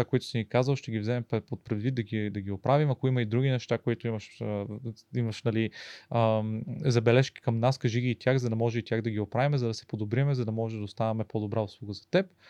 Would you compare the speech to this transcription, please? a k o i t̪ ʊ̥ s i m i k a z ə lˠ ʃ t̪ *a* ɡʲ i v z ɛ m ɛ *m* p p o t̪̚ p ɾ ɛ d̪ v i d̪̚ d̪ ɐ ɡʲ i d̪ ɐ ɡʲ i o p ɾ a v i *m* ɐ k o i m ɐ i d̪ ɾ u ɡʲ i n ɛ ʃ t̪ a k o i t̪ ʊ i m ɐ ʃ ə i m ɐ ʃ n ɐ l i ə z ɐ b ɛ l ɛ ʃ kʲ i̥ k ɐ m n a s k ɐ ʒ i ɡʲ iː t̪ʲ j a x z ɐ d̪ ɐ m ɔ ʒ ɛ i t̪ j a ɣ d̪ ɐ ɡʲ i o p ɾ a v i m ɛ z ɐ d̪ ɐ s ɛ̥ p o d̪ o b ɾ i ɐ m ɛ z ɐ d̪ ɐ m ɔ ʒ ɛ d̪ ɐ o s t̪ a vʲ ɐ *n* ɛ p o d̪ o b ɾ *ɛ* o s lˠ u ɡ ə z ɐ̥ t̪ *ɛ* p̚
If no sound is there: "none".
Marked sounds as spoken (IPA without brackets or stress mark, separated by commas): ɛ, m, m, m, a, ɛ